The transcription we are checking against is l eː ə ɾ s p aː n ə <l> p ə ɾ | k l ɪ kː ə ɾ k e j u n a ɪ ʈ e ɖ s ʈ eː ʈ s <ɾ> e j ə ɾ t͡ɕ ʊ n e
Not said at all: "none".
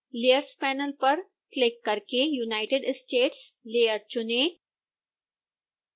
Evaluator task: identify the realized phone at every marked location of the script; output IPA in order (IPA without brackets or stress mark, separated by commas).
l, l